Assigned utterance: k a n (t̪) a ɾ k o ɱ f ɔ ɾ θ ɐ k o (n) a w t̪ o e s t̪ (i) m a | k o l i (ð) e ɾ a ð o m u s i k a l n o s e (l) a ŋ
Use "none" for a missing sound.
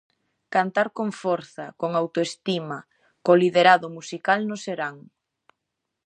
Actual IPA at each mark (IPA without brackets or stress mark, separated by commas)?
t̪, ŋ, i, ð, ɾ